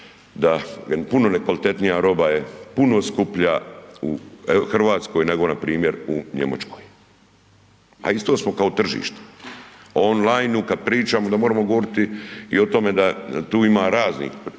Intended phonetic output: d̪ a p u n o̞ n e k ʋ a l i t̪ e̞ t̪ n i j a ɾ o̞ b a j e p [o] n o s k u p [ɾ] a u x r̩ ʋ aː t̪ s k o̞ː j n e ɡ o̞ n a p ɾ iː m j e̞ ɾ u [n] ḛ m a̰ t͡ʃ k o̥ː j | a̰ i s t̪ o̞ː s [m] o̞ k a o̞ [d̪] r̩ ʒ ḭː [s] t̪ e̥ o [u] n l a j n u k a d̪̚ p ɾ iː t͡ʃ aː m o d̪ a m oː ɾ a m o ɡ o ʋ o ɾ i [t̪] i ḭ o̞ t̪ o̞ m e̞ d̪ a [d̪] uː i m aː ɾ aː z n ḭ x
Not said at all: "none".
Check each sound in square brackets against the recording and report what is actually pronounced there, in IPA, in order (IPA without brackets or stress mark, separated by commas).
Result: u, ʎ, ɲ, m, t̪, ʃ, o, t̪, t̪